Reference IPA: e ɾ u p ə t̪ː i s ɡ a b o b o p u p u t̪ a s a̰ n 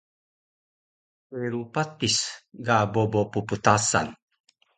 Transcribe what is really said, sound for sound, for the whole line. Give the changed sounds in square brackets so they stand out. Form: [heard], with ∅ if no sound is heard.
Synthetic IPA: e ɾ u p [a] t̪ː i s ɡ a b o b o p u p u t̪ a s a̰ n